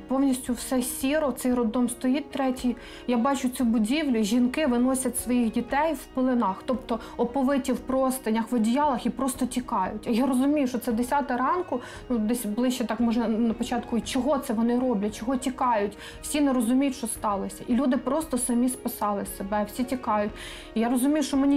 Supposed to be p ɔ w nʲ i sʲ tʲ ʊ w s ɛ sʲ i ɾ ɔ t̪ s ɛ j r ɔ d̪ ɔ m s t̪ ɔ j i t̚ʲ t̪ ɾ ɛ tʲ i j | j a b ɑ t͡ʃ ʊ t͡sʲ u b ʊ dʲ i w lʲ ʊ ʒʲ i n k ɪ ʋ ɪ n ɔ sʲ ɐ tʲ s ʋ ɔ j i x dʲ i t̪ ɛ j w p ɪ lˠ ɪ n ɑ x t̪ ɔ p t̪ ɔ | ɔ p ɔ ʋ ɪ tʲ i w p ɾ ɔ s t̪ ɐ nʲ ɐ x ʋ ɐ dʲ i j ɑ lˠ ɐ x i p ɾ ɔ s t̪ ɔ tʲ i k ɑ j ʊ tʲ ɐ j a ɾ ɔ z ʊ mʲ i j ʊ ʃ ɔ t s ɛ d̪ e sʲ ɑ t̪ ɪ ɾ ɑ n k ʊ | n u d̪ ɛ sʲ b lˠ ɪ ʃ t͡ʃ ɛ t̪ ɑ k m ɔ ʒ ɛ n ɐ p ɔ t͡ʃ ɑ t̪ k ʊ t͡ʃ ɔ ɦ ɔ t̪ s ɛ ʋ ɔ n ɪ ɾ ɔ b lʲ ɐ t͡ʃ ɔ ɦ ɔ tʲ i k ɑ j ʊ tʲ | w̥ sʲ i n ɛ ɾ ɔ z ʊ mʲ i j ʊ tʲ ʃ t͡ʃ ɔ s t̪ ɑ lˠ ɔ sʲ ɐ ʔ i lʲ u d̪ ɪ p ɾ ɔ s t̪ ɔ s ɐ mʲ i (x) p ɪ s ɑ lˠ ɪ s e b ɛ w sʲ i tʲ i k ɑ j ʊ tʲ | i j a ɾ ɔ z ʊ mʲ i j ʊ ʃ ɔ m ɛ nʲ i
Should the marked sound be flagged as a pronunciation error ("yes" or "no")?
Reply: yes